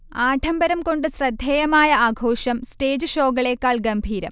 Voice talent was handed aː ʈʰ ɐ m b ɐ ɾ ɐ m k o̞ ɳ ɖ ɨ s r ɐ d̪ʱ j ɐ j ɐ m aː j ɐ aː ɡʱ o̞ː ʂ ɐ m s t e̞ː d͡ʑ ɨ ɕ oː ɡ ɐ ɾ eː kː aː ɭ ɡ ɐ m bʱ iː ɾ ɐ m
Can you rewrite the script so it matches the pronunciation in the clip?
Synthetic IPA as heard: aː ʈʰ ɐ m b ɐ ɾ ɐ m k o̞ ɳ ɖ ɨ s r ɐ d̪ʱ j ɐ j ɐ m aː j ɐ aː ɡʱ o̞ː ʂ ɐ m s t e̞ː d͡ʑ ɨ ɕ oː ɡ ɐ ɭ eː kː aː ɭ ɡ ɐ m bʱ iː ɾ ɐ m